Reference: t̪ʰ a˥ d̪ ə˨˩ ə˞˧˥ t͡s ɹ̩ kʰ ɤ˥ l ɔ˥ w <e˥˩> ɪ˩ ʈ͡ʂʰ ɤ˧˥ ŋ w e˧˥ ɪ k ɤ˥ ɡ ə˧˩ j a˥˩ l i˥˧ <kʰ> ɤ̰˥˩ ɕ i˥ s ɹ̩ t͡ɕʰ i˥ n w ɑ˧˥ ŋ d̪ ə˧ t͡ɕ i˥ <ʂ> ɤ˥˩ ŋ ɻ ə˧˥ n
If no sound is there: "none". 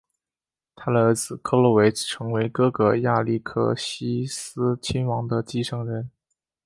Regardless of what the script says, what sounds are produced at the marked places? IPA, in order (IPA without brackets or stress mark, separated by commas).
e˧˥, kʰ, ʂ